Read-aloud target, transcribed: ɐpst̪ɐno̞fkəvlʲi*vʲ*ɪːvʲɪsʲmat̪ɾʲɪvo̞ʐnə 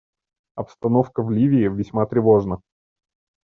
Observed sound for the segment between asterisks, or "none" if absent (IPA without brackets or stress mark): vʲ